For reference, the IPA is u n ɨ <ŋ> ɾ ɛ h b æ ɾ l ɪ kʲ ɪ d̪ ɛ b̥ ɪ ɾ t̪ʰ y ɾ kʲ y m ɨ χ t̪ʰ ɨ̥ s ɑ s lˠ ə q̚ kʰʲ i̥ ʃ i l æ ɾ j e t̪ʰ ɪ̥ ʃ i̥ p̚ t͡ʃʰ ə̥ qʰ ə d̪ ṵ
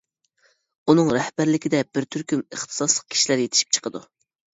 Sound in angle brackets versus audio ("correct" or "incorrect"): correct